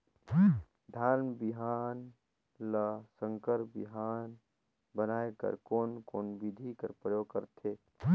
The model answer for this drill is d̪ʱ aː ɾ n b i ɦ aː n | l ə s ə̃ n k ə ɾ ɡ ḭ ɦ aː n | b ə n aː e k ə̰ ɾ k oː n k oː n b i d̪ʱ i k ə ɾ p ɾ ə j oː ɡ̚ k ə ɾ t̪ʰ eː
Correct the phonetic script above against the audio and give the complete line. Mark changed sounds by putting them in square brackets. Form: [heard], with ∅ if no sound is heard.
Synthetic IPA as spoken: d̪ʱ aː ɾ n b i ɦ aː n | l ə s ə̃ [ŋ] k ə ɾ [b] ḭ ɦ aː n | b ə n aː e k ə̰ ɾ k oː n k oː n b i d̪ʱ i k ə ɾ p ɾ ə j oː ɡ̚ k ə ɾ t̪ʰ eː